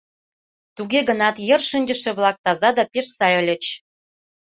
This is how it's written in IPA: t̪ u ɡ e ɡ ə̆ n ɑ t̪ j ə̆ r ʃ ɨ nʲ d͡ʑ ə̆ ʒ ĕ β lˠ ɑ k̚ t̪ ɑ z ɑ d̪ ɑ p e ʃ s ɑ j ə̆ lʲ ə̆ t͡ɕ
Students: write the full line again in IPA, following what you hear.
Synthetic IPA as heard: t̪ u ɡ e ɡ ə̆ n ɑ t̪ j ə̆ r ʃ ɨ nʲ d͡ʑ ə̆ ʃ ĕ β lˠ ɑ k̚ t̪ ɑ z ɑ d̪ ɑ p e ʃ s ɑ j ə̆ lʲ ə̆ t͡ɕ